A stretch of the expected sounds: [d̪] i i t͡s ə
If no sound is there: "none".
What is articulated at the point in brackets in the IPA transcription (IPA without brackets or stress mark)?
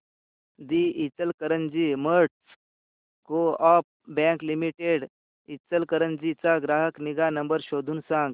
d̪